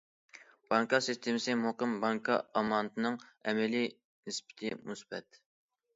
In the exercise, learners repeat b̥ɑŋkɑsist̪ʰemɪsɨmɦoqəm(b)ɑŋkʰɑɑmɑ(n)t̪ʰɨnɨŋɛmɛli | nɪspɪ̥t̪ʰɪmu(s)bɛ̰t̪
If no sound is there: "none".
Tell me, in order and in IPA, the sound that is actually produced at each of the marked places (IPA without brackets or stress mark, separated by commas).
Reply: b, n, s